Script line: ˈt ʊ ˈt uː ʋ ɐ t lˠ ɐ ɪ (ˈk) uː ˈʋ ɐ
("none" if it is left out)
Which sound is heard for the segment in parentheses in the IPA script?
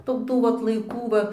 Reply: k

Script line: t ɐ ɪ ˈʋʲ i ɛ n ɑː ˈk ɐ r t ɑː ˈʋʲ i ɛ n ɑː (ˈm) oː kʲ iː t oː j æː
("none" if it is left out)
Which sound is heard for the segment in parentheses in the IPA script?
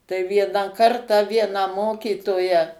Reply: m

